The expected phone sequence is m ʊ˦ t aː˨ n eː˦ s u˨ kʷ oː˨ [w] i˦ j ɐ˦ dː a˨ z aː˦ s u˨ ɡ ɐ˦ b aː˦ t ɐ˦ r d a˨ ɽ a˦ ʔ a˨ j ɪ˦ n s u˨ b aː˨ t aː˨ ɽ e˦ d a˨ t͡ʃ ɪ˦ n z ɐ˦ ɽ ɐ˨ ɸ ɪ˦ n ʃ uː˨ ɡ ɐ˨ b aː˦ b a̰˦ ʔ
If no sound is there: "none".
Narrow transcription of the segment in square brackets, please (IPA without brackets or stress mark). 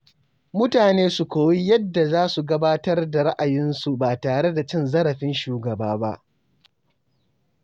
w